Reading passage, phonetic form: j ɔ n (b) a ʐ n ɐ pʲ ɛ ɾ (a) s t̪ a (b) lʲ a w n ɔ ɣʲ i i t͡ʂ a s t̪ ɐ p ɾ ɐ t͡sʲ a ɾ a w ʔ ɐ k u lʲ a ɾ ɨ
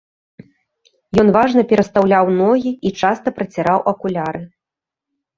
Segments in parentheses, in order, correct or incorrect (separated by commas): incorrect, incorrect, incorrect